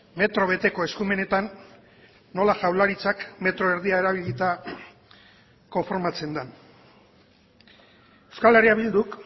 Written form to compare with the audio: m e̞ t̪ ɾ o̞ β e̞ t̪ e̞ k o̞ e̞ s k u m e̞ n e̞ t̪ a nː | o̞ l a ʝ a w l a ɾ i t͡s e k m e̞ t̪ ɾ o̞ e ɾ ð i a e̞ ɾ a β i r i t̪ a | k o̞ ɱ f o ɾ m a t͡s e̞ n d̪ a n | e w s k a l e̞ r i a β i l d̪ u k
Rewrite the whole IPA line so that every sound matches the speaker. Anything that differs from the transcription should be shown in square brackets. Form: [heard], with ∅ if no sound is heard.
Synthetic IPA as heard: m e̞ t̪ ɾ o̞ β e̞ t̪ e̞ k o̞ e̞ s k u m e̞ n e̞ t̪ a nː | o̞ l a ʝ a w l a ɾ i t͡s [a] k m e̞ t̪ ɾ o̞ e ɾ ð i a e̞ ɾ a β i [ʎ] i t̪ a | k o̞ ɱ f o ɾ m a t͡s e̞ n d̪ a n | e w s k a l e̞ r i a β i l d̪ u k